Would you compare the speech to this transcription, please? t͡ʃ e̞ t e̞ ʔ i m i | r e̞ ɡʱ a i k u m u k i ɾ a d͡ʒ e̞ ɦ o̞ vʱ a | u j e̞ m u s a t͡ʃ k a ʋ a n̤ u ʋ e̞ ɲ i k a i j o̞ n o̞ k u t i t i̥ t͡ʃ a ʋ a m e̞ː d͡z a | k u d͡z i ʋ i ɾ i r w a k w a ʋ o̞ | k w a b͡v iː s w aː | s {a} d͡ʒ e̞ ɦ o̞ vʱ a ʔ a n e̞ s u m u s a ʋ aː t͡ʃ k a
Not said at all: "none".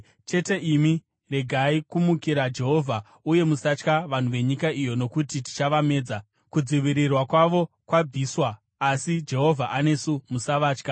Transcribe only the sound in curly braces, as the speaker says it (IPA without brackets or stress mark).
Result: i